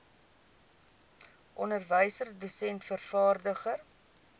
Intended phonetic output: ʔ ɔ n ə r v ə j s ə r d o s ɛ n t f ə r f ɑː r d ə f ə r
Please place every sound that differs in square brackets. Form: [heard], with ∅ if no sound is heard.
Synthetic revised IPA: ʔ ɔ n ə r v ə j s ə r d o s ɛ n t f ə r f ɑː r d ə [χ] ə r